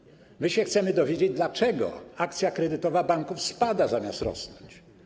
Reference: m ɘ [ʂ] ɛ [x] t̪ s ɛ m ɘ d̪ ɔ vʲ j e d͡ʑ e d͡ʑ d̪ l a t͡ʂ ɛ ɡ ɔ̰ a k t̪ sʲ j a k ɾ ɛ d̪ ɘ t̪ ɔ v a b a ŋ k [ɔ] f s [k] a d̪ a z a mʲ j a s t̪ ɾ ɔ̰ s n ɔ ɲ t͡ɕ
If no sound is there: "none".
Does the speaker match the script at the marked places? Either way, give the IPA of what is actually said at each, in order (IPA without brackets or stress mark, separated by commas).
ɕ, x, u, p